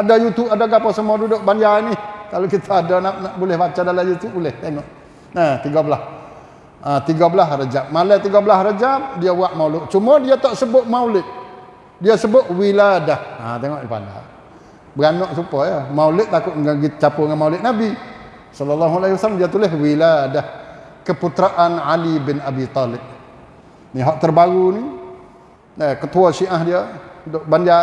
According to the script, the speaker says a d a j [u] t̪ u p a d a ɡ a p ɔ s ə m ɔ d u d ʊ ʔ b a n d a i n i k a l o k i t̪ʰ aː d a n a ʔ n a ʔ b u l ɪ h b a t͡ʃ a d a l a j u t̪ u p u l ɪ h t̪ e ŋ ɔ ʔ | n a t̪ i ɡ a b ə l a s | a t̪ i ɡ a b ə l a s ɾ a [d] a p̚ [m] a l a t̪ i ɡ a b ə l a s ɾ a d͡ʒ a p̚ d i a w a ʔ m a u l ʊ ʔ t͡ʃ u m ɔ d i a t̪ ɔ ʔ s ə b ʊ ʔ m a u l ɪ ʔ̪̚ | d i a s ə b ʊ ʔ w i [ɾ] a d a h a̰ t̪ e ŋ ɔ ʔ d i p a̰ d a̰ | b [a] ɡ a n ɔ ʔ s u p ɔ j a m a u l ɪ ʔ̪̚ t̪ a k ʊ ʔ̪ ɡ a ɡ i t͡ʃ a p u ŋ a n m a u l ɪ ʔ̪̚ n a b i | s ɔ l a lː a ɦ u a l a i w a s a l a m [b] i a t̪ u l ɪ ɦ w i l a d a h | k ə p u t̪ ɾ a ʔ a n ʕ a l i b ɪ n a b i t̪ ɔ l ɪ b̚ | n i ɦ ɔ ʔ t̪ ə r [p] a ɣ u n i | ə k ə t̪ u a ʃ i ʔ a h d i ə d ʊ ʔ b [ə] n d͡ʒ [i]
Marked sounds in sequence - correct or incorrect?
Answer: correct, incorrect: d͡ʒ, correct, incorrect: l, incorrect: ə, incorrect: d, incorrect: b, incorrect: a, incorrect: a

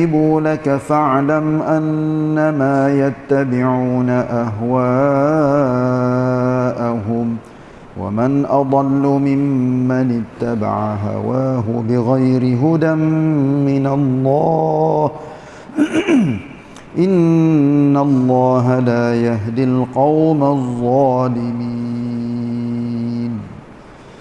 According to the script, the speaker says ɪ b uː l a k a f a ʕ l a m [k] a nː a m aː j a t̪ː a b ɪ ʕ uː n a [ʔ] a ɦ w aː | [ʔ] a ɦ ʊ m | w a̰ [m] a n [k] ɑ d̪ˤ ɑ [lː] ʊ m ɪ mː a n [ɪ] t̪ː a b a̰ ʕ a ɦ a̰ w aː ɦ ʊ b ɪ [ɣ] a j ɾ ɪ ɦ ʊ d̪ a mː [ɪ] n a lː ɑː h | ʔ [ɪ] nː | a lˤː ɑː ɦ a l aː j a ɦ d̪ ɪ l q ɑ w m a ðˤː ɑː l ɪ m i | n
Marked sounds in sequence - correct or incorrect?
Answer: incorrect: ʔ, correct, correct, correct, incorrect: ʔ, correct, correct, correct, correct, correct

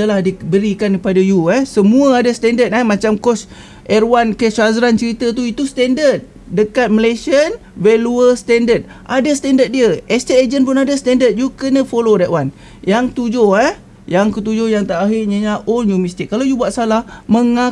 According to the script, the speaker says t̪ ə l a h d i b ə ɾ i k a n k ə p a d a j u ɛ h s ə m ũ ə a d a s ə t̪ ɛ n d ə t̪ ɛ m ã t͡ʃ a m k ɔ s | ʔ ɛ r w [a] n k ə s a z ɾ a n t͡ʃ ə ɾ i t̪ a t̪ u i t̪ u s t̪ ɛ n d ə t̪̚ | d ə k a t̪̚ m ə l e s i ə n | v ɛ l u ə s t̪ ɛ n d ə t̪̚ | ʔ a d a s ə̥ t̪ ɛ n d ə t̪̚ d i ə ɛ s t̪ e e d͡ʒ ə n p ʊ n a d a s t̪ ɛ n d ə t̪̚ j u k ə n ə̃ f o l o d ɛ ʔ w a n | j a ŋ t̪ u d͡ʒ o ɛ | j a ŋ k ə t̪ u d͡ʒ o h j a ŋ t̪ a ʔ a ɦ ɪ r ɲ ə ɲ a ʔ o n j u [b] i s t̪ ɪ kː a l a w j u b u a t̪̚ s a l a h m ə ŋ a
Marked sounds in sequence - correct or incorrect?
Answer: correct, incorrect: m

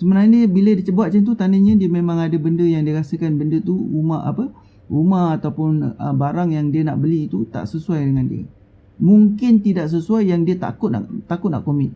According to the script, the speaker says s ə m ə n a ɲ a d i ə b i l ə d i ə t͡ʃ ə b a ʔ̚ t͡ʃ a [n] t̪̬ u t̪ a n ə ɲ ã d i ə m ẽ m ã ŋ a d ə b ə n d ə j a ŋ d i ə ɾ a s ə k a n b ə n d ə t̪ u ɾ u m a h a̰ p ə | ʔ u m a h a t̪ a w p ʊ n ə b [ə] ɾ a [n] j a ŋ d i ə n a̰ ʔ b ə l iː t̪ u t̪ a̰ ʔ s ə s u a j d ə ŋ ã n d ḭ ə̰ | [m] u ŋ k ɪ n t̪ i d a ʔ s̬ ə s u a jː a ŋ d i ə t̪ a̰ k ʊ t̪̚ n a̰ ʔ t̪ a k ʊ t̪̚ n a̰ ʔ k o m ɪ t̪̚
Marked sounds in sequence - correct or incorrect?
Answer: correct, incorrect: a, incorrect: ŋ, correct

